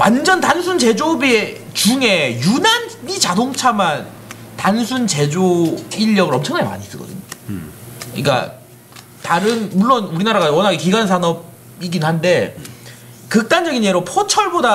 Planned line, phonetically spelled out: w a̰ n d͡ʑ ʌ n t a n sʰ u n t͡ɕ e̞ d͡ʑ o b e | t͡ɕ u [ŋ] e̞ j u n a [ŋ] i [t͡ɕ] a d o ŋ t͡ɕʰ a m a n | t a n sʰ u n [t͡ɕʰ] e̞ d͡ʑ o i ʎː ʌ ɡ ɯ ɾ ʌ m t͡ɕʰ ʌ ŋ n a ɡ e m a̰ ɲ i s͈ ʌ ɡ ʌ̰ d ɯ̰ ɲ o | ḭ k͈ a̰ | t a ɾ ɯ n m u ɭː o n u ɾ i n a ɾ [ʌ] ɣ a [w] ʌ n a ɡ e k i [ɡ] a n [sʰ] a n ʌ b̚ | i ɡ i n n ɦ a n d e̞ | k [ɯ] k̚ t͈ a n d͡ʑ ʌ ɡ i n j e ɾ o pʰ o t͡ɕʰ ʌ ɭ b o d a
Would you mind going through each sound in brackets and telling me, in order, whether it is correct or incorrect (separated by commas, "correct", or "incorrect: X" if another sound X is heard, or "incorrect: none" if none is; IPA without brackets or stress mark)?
correct, incorrect: n, correct, incorrect: t͡ɕ, incorrect: a, correct, correct, correct, correct